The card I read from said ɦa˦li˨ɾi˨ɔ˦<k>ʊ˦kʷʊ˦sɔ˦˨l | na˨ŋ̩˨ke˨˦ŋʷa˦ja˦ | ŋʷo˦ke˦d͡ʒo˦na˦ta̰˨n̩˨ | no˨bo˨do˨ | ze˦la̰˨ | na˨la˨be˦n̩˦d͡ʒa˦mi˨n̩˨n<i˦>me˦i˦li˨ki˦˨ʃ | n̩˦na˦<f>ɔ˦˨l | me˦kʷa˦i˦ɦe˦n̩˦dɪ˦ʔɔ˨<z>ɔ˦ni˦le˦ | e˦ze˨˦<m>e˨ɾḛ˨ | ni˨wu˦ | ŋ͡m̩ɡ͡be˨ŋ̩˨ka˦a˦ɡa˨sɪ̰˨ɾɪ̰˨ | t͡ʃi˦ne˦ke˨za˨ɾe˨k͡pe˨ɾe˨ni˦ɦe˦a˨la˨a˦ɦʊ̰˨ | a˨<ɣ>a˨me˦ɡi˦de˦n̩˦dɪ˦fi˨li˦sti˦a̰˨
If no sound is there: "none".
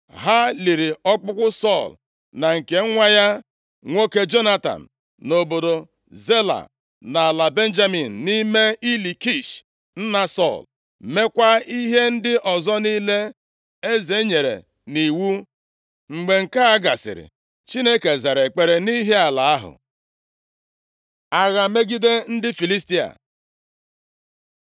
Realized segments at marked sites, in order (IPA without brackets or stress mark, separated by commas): k͡p, i˦, s, z, ɲ, ɣ